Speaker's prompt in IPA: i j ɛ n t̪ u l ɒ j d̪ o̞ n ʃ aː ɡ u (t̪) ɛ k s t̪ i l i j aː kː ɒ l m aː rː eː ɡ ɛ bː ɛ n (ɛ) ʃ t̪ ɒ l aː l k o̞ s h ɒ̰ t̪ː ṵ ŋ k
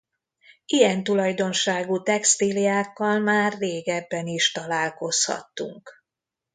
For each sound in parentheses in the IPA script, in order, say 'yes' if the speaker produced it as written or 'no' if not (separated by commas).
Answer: yes, no